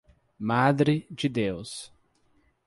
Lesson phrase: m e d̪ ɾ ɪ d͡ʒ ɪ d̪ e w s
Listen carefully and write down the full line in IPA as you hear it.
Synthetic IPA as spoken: m a d̪ ɾ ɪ d͡ʒ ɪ d̪ e w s